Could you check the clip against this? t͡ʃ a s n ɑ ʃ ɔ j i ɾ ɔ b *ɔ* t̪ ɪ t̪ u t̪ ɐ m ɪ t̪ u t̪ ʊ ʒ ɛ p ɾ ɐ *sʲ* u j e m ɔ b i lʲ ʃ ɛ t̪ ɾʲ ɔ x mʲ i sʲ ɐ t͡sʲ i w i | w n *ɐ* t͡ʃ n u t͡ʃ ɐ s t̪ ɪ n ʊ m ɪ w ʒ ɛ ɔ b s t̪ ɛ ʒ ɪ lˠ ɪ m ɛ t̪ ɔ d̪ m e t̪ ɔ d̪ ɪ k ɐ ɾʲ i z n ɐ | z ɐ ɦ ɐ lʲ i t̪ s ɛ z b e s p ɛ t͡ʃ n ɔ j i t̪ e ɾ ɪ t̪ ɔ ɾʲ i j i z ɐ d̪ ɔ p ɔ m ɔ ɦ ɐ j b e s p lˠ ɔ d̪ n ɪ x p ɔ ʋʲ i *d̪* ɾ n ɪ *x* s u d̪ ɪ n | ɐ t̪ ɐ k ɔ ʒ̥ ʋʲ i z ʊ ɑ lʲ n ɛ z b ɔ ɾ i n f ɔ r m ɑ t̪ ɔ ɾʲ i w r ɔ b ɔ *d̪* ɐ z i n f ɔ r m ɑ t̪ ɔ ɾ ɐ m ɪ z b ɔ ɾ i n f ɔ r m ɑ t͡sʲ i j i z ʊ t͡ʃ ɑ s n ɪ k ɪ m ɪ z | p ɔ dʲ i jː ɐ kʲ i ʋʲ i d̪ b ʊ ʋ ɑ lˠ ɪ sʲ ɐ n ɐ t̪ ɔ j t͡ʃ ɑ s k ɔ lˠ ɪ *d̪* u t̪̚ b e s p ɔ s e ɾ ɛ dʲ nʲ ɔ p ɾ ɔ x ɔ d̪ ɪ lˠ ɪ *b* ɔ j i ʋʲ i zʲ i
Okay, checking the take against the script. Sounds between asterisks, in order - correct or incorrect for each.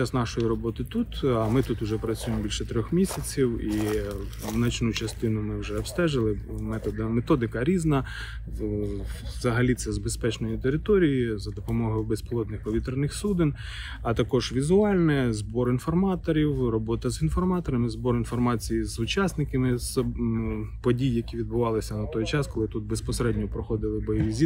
correct, incorrect, correct, incorrect, correct, incorrect, incorrect, correct

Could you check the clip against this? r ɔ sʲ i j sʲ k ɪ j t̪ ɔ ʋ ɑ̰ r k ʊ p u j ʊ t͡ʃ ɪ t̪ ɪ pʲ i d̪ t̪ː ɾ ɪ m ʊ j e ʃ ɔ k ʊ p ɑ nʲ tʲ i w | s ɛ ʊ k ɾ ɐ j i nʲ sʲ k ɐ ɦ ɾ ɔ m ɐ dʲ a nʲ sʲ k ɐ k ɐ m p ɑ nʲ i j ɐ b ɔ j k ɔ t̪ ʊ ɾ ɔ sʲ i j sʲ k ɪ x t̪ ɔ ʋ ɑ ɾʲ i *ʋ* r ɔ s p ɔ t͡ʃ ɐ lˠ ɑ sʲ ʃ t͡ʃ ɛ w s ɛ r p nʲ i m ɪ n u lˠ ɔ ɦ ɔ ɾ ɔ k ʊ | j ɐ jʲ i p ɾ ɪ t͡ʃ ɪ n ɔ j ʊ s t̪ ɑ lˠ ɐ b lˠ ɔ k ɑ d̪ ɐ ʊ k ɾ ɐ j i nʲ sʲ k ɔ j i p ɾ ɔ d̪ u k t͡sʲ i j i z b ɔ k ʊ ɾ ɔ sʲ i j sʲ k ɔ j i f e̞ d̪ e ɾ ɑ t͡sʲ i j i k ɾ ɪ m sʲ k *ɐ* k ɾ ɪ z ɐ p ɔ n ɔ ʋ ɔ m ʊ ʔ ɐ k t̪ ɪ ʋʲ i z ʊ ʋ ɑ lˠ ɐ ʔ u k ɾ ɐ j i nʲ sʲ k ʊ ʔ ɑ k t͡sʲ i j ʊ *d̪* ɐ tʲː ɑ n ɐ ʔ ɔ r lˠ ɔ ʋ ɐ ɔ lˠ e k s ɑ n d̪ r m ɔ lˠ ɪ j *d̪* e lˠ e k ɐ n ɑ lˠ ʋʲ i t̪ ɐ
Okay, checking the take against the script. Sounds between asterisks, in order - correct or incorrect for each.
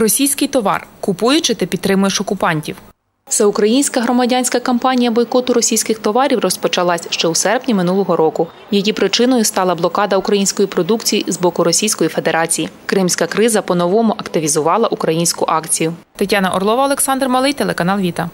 incorrect, correct, incorrect, incorrect

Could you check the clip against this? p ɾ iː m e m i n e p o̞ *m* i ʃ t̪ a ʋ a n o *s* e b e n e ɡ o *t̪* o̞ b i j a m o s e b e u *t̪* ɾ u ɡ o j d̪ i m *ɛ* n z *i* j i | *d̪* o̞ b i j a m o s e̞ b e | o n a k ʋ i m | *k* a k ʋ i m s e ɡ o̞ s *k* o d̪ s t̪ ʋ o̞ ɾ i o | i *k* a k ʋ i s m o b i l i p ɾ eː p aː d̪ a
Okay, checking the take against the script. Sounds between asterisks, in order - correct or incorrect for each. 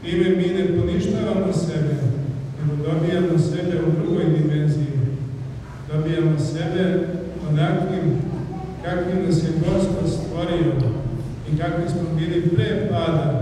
incorrect, correct, incorrect, incorrect, incorrect, correct, correct, correct, incorrect, correct

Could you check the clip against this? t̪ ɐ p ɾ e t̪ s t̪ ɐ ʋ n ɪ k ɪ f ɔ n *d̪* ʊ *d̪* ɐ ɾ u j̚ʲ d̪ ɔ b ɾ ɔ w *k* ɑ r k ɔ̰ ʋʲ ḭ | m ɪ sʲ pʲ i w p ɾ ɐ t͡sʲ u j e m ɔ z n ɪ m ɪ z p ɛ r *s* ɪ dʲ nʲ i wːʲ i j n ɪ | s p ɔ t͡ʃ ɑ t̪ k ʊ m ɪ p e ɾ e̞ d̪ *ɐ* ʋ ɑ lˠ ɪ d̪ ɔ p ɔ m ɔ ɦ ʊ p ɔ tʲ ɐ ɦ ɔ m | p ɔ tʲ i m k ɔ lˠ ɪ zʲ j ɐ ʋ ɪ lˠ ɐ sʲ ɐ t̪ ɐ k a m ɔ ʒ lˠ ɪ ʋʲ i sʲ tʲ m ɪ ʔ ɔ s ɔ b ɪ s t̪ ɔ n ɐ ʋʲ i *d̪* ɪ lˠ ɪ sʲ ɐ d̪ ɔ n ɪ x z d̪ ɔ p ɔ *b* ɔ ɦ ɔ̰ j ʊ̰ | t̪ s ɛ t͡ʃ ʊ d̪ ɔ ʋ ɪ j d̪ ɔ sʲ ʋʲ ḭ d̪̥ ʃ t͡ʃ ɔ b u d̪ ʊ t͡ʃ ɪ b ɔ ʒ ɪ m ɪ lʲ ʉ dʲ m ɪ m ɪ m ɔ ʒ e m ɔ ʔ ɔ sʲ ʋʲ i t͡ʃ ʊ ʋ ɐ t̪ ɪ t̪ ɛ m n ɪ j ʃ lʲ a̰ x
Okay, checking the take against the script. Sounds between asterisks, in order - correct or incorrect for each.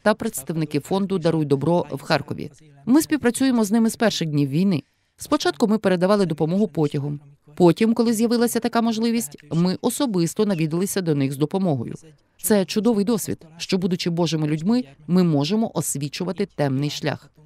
correct, correct, incorrect, incorrect, correct, correct, incorrect

